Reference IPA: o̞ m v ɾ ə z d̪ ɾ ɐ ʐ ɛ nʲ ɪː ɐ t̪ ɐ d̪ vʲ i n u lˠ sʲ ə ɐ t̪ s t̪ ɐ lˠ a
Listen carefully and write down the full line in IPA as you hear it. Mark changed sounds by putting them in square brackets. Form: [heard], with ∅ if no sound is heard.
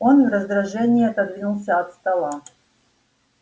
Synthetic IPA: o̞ [n] v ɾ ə z d̪ ɾ ɐ ʐ ɛ nʲ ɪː ɐ t̪ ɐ d̪ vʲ i n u lˠ sʲ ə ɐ t̪ s t̪ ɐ lˠ a